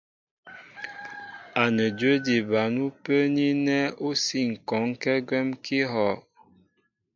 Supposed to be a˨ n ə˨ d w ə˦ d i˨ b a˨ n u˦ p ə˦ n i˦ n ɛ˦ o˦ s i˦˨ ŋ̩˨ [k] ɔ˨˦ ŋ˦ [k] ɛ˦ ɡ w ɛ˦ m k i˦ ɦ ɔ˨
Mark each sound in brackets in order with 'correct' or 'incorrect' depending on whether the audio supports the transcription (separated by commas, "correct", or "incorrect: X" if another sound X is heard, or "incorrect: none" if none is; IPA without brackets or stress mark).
correct, correct